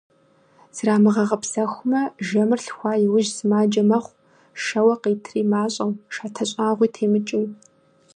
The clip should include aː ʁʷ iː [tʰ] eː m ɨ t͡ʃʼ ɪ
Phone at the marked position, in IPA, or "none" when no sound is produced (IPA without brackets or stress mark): tʰ